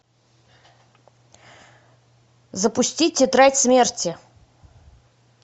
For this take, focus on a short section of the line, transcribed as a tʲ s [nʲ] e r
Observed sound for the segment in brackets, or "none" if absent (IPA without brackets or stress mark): mʲ